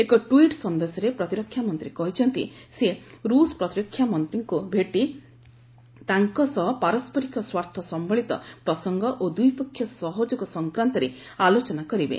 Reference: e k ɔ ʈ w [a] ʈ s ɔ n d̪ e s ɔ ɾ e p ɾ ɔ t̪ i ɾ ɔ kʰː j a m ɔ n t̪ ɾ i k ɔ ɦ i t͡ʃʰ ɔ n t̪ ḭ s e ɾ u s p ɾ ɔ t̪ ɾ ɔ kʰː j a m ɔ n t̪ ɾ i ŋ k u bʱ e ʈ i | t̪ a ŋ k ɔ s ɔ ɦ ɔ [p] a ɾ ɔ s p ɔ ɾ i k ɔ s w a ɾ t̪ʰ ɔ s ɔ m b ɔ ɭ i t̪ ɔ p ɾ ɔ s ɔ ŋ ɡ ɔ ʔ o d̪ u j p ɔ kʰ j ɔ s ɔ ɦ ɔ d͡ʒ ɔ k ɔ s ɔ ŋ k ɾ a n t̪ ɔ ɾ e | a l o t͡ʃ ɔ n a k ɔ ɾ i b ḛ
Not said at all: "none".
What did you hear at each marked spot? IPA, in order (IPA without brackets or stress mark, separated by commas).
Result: i, p